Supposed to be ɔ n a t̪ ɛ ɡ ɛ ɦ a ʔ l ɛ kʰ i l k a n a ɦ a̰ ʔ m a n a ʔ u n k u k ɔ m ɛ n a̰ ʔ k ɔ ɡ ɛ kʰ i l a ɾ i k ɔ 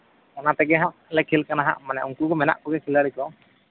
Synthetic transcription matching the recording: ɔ n a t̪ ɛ ɡ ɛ ɦ a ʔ l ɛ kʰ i l k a n a ɦ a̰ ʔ m a n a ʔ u ŋ k u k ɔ m ɛ n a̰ ʔ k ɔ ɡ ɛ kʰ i l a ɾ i k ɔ

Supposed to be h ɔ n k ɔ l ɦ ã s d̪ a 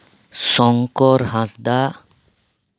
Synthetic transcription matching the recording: s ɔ ŋ k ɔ ɾ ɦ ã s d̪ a

